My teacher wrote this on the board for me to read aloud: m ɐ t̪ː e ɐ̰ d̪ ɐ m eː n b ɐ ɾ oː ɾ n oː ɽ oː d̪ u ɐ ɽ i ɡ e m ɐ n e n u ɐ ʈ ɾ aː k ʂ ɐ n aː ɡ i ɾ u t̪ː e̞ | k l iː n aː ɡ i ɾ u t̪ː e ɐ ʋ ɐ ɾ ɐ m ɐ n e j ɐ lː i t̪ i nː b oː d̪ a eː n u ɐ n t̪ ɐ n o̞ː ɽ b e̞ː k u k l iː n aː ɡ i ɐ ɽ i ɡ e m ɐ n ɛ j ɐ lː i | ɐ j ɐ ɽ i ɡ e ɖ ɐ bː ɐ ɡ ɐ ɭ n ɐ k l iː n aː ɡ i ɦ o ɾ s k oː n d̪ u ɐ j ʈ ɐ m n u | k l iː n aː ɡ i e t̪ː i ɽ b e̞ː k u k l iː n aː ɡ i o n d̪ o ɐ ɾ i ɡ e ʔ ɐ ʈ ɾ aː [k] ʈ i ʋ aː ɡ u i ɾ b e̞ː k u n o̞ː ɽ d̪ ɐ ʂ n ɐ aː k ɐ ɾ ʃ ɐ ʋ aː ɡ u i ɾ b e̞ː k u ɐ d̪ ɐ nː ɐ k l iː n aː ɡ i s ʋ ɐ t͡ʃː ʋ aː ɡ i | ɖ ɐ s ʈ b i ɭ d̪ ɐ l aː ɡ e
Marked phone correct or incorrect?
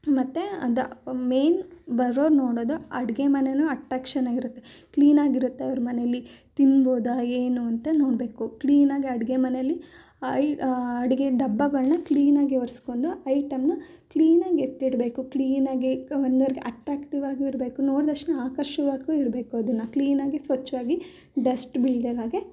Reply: correct